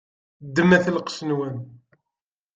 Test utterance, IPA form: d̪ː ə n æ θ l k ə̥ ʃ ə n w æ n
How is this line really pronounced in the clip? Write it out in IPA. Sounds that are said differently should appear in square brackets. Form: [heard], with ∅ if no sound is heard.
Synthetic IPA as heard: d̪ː ə [m] æ θ l [q] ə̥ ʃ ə n w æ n